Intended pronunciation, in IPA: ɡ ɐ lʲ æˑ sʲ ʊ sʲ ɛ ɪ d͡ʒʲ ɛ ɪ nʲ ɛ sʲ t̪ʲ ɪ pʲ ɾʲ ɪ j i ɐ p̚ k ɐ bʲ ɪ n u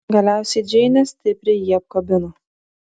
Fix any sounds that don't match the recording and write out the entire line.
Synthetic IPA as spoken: ɡ ɐ lʲ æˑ ʊ sʲ ɛ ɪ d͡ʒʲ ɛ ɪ nʲ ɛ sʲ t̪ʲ ɪ pʲ ɾʲ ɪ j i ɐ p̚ k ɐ bʲ ɪ n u